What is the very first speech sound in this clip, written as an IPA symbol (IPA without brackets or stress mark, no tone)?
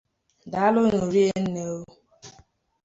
d